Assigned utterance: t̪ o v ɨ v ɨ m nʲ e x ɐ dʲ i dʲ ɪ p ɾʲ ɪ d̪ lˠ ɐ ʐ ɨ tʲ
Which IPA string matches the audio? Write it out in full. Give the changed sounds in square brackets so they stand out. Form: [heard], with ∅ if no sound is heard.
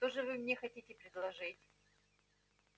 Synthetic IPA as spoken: t̪ o [ʐ] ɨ v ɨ m nʲ e x ɐ [tʲ] i [tʲ] ɪ p ɾʲ ɪ d̪ lˠ ɐ ʐ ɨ tʲ